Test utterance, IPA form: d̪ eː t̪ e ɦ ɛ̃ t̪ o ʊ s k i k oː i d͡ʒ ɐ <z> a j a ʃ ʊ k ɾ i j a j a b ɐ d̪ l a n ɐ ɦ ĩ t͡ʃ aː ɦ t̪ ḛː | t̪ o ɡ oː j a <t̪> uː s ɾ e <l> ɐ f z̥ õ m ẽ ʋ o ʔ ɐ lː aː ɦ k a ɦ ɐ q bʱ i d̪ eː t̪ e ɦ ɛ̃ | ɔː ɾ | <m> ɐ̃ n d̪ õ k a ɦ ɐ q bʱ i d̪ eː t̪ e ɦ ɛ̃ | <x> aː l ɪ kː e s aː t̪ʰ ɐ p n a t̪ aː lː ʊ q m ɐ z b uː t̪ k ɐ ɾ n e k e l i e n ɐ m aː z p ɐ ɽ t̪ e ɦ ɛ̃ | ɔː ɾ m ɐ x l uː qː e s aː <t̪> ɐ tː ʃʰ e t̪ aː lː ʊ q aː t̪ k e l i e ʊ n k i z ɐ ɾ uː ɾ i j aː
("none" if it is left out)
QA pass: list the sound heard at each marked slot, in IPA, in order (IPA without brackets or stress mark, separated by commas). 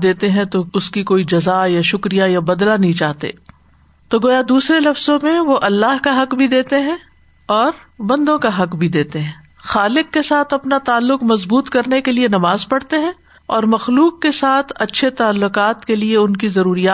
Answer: z, d̪, l, b, x, t̪ʰ